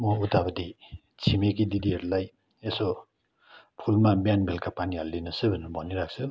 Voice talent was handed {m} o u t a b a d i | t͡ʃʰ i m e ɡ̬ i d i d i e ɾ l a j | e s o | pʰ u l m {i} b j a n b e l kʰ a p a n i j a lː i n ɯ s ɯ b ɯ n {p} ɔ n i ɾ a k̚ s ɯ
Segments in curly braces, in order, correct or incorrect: correct, incorrect: a, incorrect: b

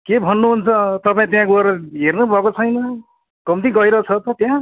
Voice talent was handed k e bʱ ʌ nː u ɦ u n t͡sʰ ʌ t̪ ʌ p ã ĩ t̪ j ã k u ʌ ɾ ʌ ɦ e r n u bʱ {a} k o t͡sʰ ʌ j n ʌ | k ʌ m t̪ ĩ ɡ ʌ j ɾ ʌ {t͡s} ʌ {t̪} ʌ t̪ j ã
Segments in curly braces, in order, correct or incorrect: incorrect: ʌ, incorrect: t͡sʰ, correct

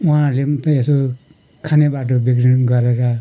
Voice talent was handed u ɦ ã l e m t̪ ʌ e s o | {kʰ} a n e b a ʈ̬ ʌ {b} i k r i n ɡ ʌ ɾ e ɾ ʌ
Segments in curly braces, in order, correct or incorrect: correct, correct

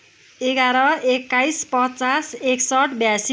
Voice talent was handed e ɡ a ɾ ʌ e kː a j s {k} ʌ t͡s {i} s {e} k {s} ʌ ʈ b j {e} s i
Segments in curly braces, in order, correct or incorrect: incorrect: p, incorrect: a, correct, correct, incorrect: a

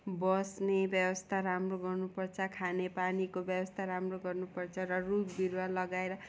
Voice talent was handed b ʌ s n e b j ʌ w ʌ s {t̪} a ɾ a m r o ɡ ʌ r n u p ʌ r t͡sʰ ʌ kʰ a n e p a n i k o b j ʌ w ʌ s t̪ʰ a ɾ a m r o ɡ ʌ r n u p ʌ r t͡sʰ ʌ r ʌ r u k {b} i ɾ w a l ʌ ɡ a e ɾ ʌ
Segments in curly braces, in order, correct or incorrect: incorrect: t̪ʰ, correct

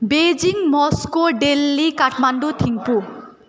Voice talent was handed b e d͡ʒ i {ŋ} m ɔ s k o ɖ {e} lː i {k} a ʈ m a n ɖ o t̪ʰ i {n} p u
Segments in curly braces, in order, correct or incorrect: correct, correct, correct, incorrect: ŋ

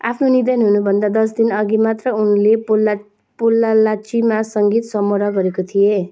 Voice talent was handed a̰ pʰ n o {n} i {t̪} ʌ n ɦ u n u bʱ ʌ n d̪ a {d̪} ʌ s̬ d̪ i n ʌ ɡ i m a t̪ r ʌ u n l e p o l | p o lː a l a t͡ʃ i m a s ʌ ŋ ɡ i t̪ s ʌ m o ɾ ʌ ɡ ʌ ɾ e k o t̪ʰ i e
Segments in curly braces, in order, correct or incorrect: correct, incorrect: d̪, correct

